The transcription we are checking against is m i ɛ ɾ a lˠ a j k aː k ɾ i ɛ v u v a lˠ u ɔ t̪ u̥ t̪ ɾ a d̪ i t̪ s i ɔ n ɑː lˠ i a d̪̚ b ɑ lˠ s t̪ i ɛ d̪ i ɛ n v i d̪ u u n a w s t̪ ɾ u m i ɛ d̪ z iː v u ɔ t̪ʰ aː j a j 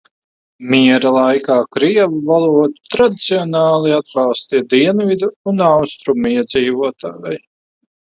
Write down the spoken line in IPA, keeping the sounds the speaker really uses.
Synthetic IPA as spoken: m i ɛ ɾ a lˠ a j k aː k ɾ i ɛ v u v a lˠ u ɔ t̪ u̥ t̪ ɾ a d̪ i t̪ s i ɔ n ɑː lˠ i a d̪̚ b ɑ lˠ s t̪ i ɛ d̪ i ɛ n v i d̪ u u n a w s t̪ ɾ u m i ɛ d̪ z iː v u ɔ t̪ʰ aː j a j